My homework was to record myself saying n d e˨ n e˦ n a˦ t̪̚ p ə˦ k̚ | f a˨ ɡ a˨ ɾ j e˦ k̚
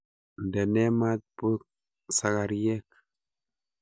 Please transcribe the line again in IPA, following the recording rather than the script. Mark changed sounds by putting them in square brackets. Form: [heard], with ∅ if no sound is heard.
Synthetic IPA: n d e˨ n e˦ [m] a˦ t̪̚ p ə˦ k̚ | [s] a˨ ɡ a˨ ɾ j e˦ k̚

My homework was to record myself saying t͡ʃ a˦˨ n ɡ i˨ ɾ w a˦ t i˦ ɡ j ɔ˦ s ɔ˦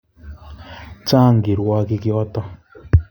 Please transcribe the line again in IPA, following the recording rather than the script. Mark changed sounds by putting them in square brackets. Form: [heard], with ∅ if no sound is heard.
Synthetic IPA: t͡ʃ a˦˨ [ŋ] ɡ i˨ ɾ w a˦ [k] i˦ [k] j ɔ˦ [t] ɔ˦

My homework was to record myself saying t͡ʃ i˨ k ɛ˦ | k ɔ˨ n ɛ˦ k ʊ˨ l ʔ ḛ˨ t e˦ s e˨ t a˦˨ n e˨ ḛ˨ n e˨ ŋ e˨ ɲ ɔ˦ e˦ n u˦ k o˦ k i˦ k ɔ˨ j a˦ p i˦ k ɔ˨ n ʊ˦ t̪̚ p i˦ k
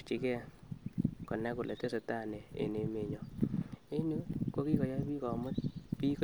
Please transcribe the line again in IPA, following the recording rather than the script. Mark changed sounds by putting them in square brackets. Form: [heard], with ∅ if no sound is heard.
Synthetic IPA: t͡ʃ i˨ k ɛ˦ | k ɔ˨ n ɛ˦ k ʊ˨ l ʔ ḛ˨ t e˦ s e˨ t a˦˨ n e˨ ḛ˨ n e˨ [m] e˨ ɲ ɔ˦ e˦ n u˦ k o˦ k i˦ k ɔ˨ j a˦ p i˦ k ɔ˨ [m] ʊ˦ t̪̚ p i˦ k

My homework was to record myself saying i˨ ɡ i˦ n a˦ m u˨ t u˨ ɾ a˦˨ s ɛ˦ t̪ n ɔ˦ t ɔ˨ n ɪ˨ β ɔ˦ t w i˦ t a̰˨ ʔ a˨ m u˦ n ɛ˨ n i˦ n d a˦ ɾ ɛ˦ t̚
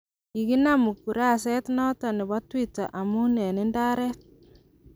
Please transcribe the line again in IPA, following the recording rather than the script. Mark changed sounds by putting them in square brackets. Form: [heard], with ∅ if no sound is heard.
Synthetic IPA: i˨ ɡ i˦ n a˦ m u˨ [k] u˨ ɾ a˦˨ s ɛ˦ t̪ n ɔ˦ t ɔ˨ n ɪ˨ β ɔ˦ t w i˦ t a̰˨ ʔ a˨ m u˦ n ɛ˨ n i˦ n d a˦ ɾ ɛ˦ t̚

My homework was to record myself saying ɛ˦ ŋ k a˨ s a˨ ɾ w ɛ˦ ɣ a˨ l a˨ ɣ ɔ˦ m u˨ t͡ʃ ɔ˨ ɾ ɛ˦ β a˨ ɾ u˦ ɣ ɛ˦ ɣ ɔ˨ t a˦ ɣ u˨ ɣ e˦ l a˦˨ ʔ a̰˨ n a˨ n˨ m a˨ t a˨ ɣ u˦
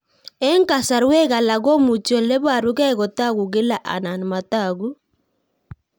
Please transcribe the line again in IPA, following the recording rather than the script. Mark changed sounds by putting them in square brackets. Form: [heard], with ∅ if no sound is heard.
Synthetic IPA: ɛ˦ ŋ k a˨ s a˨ ɾ w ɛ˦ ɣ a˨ l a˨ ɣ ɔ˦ m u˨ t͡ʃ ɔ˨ [l] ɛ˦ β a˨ ɾ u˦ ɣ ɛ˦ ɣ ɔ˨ t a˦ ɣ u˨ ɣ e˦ l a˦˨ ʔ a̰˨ n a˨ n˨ m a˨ t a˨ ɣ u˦

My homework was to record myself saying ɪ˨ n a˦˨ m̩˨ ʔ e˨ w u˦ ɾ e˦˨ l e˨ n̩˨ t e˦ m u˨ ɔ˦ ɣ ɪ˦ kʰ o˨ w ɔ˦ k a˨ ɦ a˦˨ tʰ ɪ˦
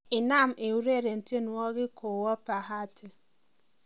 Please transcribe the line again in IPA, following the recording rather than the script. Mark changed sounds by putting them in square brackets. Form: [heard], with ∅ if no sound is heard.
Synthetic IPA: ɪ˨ n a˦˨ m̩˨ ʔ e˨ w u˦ ɾ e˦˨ [ɾ] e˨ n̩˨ t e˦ [n] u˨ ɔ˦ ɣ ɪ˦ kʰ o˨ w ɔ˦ [p] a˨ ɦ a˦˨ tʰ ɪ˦

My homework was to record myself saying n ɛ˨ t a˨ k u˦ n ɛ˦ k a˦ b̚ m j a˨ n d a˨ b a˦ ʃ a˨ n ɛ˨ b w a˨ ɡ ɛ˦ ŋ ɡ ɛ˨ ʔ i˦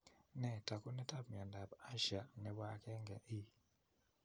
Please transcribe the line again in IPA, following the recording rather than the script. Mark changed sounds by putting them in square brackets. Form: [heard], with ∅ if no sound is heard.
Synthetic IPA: n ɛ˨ t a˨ k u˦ n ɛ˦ [t] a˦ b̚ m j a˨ n d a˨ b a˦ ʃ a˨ n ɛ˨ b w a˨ [k] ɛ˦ ŋ ɡ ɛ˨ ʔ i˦

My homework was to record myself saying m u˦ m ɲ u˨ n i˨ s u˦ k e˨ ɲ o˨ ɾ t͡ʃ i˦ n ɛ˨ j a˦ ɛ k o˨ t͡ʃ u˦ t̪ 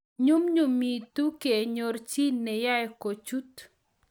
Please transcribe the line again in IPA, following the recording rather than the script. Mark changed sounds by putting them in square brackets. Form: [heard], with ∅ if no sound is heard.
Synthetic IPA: [ɲ] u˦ m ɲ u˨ [m] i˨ [t] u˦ k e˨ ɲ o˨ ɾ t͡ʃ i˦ n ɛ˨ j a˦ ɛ k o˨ t͡ʃ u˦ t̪

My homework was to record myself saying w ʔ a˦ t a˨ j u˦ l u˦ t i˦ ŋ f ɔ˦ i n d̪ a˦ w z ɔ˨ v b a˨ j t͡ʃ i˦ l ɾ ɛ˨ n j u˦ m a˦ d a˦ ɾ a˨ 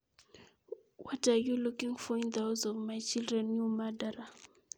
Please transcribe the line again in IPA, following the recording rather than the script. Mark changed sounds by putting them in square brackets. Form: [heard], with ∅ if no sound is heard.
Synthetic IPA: w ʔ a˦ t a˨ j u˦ l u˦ [k] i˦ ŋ f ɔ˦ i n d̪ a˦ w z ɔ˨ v [m] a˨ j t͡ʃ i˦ l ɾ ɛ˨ n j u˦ m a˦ d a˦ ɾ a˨

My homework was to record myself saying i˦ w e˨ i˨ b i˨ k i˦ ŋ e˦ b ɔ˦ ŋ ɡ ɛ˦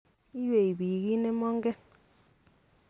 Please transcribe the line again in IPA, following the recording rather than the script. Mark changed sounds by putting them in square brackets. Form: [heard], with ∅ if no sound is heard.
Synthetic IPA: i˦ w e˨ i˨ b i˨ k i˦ [n] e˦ [m] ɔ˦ ŋ ɡ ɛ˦

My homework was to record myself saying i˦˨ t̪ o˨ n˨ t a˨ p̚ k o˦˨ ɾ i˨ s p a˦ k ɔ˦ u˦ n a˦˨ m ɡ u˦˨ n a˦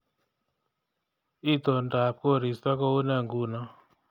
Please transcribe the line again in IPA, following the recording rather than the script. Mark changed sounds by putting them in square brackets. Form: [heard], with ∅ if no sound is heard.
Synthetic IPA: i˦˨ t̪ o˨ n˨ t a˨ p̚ k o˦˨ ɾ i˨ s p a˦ k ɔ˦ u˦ n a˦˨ [ŋ] ɡ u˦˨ n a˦

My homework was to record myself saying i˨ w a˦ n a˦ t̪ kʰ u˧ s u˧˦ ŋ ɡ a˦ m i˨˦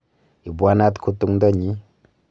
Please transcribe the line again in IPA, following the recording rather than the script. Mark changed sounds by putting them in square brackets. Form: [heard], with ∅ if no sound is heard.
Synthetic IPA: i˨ [b] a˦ n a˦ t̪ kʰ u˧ [t] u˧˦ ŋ [d] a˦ [ɲ] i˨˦

